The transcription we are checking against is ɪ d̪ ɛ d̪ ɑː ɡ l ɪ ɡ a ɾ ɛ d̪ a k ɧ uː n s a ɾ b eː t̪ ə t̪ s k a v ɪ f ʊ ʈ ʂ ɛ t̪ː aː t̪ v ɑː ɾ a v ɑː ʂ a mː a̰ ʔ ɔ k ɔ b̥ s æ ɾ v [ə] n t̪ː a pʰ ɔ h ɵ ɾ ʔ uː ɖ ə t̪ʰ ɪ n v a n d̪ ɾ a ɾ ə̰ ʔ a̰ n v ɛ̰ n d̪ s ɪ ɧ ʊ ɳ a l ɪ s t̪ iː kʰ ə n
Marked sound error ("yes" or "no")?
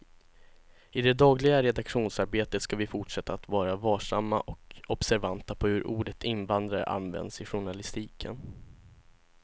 yes